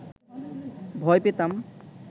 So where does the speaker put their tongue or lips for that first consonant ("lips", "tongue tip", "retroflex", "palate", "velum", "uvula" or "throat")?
lips